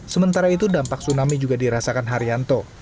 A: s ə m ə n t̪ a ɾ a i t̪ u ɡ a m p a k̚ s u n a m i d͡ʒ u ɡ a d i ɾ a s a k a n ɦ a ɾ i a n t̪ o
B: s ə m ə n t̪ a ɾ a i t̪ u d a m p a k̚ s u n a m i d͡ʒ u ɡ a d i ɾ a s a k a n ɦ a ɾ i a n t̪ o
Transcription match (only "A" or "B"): B